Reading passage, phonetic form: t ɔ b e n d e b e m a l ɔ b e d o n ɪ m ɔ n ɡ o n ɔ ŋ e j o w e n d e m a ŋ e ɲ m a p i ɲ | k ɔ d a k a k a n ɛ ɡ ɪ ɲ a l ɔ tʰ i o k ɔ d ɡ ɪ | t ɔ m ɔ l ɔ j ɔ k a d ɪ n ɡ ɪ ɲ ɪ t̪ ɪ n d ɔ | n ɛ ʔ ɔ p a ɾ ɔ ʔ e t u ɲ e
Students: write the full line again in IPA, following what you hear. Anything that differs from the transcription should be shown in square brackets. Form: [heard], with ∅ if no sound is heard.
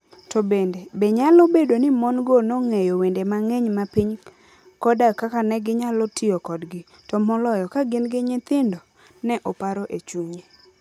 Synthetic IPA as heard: t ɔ b e n d e b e [ɲ] a l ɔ b e d o n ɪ m ɔ n ɡ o n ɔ ŋ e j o w e n d e m a ŋ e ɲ m a p i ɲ | k ɔ d a k a k a n ɛ ɡ ɪ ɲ a l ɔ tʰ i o k ɔ d ɡ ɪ | t ɔ m ɔ l ɔ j ɔ k a [ɡ] ɪ n ɡ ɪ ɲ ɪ t̪ ɪ n d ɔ | n ɛ ʔ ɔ p a ɾ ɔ ʔ e [t͡ʃ] u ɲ e